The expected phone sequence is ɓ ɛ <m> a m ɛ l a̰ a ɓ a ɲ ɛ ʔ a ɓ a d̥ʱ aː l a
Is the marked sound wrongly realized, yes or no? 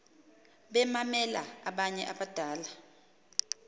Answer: no